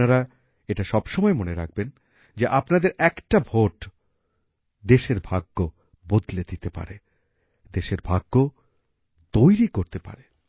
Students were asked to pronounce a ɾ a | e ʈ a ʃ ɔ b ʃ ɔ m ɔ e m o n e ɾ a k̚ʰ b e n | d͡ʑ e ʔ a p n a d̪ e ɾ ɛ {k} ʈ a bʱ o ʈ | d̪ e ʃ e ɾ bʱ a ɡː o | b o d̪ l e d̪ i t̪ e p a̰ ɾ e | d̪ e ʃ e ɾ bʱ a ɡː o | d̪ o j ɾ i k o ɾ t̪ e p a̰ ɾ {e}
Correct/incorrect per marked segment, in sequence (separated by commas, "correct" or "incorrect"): correct, correct